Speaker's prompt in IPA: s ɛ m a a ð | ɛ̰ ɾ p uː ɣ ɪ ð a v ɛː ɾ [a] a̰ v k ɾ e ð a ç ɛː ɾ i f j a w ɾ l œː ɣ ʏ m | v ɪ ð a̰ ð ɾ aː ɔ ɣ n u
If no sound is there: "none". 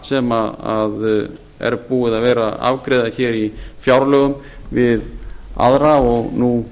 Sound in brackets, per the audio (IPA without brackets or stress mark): a